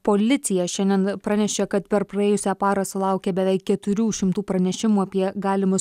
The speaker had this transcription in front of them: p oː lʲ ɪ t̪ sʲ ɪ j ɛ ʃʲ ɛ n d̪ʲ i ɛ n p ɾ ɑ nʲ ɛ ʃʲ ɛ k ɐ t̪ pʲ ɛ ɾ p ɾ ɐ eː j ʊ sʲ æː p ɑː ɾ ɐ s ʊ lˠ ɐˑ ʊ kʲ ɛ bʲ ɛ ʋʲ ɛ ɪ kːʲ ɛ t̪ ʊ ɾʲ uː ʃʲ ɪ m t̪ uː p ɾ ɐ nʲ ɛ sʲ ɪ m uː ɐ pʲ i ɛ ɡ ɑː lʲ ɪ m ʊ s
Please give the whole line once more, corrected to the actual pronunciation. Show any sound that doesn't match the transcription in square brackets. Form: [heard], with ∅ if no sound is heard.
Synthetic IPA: p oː lʲ ɪ t̪ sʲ ɪ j ɛ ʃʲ ɛ n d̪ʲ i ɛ n p ɾ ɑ nʲ ɛ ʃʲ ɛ k ɐ t̪ pʲ ɛ ɾ p ɾ ɐ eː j ʊ sʲ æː p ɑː ɾ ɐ s ʊ lˠ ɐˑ ʊ kʲ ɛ bʲ ɛ ʋʲ ɛ ɪ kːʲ ɛ t̪ ʊ ɾʲ uː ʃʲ ɪ m t̪ uː p ɾ ɐ nʲ ɛ [ʃʲ] ɪ m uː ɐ pʲ i ɛ ɡ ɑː lʲ ɪ m ʊ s